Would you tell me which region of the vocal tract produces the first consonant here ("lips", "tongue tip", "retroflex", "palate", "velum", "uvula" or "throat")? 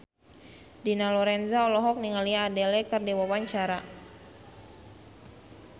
tongue tip